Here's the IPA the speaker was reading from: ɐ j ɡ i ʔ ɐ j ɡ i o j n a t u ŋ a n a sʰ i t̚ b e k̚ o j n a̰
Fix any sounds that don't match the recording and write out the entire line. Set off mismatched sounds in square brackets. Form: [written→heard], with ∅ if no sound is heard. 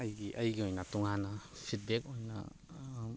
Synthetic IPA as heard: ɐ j ɡ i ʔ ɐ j ɡ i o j n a t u ŋ a n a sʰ i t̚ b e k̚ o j n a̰

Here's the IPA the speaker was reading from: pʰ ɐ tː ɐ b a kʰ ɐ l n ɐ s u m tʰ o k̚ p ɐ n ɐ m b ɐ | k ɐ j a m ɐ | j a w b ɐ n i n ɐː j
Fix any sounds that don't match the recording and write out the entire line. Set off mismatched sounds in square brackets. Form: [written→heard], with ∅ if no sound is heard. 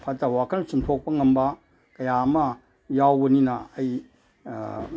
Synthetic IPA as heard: pʰ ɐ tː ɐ [b→w] a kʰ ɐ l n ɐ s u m tʰ o k̚ p ɐ [n→ŋ] ɐ m b ɐ | k ɐ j a m ɐ | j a w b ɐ n i n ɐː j

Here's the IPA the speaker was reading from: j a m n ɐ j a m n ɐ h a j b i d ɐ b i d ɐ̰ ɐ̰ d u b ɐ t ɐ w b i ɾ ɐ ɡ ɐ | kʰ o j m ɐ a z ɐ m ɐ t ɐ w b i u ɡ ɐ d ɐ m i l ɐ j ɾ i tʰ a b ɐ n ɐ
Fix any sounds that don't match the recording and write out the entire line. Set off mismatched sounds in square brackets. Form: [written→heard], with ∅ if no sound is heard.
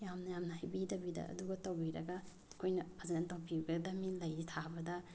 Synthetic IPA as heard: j a m n ɐ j a m n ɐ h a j b i d ɐ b i d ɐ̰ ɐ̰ d u [b→ɡ] ɐ t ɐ w b i ɾ ɐ ɡ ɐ | kʰ o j [m→n] ɐ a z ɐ [m→n] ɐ t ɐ w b i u ɡ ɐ d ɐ m i l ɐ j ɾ i tʰ a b ɐ [n→d] ɐ

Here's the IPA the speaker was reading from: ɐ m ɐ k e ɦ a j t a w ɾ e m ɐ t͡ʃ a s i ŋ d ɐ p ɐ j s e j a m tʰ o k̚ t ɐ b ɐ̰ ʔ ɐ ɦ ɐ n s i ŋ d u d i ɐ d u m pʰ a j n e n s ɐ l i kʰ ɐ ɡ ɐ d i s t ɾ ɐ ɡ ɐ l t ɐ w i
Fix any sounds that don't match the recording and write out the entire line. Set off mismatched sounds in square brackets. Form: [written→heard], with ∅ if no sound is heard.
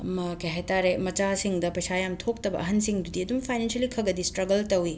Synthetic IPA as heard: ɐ m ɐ k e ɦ a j t a [w→∅] ɾ e m ɐ t͡ʃ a s i ŋ d ɐ p ɐ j s [e→a] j a m tʰ o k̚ t ɐ b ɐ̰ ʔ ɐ ɦ ɐ n s i ŋ d u d i ɐ d u m pʰ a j n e n s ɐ l i kʰ ɐ ɡ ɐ d i s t ɾ ɐ ɡ ɐ l t ɐ w i

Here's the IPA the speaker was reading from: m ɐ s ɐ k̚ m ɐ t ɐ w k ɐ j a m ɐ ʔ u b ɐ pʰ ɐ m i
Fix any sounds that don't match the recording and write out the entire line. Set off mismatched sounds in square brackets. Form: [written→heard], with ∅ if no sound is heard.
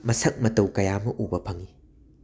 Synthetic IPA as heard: m ɐ s ɐ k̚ m ɐ t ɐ w k ɐ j a m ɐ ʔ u b ɐ pʰ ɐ [m→ŋ] i

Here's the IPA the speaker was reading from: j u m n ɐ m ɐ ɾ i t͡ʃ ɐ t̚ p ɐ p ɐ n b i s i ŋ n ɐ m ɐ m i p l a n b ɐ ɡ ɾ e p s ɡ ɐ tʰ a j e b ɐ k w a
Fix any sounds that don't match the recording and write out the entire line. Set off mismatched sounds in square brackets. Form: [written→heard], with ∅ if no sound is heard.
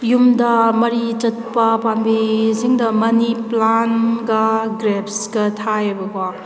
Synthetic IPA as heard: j u m [n→d] ɐ m ɐ ɾ i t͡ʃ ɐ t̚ p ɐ p [ɐ→a] n b i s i ŋ [n→d] ɐ m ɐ [m→n] i p l a n [b→ɡ] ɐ ɡ ɾ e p s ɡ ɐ tʰ a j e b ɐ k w a

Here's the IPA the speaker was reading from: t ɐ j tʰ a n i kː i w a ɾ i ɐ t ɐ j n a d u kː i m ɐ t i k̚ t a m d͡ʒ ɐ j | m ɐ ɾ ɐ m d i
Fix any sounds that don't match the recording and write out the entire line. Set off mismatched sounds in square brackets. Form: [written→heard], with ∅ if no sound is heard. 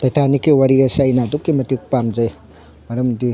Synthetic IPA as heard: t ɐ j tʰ a n i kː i w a ɾ i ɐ [t→s] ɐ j n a d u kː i m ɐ t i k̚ [t→p] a m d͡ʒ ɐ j | m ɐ ɾ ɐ m d i

